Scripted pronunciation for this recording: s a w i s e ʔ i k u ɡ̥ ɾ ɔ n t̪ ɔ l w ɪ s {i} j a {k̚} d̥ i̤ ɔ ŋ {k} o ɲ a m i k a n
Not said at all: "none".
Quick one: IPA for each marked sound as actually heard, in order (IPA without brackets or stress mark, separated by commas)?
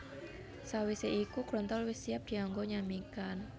i, p̚, ɡ